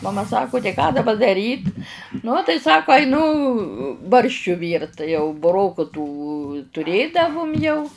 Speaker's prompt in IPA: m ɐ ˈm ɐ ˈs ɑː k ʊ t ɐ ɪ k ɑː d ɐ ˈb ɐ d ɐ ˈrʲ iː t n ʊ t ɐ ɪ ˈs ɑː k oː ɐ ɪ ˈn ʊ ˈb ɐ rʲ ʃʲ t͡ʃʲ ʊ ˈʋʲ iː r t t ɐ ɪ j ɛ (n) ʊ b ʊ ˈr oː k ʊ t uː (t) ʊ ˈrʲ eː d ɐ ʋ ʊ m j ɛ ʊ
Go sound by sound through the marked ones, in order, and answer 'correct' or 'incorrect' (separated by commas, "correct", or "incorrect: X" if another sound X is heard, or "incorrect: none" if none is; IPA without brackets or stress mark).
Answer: incorrect: none, correct